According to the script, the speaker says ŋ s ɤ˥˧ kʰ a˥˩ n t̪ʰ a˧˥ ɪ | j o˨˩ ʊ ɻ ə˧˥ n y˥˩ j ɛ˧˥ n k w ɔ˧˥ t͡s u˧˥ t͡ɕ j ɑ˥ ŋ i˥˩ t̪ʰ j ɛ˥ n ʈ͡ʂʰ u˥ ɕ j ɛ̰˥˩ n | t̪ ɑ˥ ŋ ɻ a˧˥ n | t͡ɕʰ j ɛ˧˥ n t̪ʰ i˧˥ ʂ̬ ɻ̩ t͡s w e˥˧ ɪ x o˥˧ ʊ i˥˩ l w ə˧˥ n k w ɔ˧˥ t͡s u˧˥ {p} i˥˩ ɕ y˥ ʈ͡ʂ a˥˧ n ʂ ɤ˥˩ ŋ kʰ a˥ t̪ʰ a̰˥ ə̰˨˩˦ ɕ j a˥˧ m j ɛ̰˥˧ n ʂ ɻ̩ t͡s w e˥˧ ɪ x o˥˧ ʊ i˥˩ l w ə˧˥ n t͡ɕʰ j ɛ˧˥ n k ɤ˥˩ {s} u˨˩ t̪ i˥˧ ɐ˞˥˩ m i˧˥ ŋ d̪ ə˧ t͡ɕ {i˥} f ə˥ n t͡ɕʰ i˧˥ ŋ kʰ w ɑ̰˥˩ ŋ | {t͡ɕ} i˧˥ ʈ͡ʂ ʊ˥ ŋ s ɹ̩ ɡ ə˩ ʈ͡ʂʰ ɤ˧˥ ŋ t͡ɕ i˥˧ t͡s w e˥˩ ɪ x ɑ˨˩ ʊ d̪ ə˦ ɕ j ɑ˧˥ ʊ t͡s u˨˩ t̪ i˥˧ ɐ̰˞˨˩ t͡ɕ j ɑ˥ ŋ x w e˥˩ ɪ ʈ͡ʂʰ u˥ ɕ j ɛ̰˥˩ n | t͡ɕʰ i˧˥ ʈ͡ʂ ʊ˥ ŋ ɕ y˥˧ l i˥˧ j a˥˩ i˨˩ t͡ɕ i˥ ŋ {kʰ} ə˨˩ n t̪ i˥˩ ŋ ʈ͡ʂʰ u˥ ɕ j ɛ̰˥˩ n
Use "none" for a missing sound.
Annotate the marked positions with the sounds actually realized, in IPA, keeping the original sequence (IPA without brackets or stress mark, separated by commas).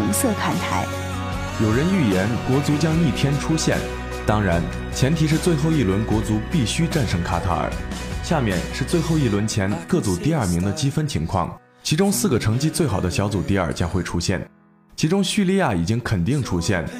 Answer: p, t͡s, i˥, t͡ɕʰ, kʰ